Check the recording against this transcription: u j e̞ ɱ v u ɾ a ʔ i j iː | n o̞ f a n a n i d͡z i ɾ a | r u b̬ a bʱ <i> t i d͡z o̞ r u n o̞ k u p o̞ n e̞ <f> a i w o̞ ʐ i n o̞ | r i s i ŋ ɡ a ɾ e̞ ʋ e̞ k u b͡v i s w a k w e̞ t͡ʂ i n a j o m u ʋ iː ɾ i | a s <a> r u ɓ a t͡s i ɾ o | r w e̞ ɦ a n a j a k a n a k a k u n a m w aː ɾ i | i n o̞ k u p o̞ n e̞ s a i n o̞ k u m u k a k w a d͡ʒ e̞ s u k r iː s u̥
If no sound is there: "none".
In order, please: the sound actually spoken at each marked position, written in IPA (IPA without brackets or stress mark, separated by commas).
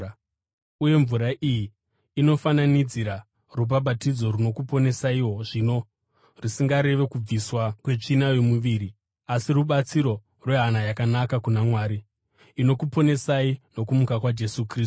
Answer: a, s, i